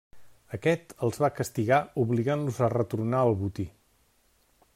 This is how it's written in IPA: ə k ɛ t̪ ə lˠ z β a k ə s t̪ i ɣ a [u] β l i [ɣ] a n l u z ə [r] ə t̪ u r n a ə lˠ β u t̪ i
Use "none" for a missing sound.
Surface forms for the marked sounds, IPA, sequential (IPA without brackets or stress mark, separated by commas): u, ɣ, r